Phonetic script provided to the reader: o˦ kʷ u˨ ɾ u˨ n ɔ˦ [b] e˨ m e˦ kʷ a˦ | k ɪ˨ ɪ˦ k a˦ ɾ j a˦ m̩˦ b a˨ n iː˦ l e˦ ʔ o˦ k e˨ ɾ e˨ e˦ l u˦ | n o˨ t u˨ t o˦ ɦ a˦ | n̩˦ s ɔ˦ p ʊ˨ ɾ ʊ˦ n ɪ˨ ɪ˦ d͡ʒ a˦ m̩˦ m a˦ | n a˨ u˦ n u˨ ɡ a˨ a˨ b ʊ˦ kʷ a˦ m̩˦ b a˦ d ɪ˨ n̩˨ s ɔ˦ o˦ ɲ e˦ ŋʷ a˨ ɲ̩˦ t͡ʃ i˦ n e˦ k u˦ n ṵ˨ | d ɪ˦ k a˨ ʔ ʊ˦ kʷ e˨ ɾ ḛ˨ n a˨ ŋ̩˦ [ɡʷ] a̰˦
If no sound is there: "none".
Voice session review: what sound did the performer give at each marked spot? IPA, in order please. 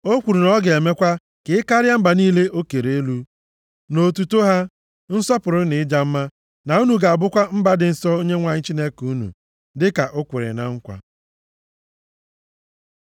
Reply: ɡ, kʷ

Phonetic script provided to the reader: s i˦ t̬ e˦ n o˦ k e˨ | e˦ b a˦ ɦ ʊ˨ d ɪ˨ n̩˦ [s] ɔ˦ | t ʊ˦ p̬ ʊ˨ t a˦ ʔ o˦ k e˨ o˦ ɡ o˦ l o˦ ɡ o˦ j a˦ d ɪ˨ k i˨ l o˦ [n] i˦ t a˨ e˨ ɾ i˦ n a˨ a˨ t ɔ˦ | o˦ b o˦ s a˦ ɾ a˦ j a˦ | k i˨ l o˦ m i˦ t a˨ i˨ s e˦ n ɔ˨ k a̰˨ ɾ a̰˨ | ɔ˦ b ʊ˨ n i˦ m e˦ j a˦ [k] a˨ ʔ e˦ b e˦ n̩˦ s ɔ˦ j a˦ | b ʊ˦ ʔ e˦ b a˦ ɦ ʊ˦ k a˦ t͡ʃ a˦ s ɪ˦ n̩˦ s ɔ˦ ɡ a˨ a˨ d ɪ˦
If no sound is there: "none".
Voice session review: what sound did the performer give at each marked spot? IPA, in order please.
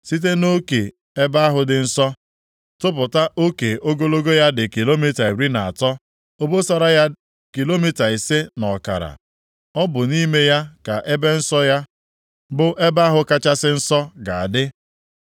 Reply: s, m, k

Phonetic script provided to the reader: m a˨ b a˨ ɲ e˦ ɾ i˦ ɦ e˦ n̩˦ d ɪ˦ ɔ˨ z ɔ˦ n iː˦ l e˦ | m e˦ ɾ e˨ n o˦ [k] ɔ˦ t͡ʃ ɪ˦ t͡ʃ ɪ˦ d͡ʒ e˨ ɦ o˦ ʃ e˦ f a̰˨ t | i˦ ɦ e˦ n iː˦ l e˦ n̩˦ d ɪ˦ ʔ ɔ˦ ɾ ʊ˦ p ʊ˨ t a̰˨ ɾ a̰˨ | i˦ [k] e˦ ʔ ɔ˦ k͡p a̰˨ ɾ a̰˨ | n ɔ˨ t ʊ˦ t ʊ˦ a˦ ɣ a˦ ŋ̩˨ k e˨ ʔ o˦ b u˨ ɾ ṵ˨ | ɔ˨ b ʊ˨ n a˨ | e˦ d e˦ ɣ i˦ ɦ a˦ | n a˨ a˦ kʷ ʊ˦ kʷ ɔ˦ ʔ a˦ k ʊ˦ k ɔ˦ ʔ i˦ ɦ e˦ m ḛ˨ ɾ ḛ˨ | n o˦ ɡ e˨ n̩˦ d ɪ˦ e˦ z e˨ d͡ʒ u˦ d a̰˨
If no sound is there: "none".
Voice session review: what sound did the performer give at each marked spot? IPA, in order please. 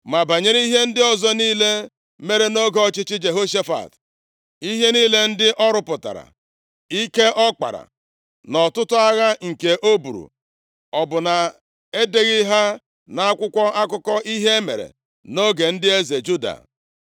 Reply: ɡ, k

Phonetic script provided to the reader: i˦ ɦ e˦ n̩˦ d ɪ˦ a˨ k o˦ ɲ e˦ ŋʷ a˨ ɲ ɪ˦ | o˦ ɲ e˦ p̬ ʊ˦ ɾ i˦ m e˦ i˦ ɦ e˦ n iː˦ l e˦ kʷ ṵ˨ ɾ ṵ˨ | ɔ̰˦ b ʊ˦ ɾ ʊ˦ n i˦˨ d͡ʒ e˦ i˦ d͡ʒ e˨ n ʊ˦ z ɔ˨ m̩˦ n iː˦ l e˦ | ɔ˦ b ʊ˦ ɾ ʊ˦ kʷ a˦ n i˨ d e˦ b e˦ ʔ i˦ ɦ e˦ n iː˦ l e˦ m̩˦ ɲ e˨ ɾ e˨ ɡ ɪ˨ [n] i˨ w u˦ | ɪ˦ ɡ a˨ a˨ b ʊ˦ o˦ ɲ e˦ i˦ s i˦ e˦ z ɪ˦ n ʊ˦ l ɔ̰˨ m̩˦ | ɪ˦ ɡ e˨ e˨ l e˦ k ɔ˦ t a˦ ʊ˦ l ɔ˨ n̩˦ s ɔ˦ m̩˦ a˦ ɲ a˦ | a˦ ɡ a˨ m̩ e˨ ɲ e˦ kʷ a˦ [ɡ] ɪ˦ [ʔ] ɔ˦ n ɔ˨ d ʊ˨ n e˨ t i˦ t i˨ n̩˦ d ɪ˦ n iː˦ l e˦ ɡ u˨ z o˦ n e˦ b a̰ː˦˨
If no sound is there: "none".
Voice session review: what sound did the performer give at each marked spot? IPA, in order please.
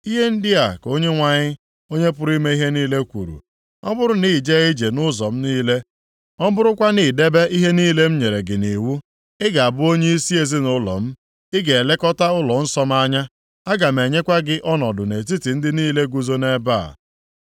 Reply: n, ɡ, ʔ

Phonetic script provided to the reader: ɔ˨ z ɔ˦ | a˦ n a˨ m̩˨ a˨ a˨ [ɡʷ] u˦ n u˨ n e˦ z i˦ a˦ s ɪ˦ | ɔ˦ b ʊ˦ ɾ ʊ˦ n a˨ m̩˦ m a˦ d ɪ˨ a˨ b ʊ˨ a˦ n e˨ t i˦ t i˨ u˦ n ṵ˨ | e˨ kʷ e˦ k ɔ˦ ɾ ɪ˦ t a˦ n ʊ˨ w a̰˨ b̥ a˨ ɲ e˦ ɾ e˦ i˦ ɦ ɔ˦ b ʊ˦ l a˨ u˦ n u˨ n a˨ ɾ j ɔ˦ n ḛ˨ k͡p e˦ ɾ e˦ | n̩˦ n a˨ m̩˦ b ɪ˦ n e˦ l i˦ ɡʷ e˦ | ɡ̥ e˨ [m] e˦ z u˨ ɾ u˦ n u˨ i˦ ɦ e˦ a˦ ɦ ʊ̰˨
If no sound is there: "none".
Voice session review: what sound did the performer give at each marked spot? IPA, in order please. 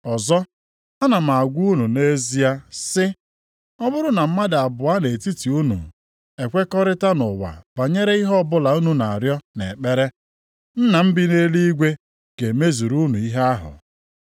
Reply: ɡʷ, m

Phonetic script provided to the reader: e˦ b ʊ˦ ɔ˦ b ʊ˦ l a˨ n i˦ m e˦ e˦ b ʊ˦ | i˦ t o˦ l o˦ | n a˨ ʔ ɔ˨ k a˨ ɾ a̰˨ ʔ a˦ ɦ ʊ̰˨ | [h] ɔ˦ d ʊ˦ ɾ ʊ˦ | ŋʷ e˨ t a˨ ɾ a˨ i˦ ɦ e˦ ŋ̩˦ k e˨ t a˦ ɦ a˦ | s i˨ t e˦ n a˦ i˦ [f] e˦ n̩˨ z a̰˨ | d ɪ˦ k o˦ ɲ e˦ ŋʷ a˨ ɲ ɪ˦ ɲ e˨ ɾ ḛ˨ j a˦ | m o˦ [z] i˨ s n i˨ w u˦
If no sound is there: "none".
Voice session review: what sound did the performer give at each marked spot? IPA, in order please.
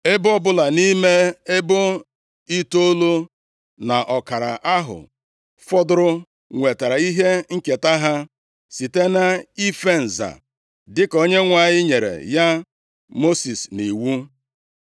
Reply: f, f, s

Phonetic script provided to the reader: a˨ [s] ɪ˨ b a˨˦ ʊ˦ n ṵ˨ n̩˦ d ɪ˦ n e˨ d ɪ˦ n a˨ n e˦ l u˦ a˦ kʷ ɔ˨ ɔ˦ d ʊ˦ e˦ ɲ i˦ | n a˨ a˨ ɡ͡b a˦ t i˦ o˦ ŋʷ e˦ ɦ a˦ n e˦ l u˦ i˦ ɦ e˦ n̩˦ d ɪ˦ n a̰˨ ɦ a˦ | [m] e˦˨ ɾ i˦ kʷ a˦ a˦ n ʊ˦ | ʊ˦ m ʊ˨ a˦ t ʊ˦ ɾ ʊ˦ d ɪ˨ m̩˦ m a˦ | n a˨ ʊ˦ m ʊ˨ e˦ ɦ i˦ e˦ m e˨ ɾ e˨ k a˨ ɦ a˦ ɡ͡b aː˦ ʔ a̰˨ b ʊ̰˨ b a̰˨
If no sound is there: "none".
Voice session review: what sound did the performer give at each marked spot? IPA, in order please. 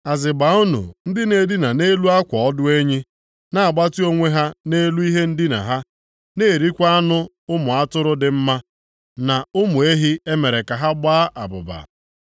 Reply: z, n

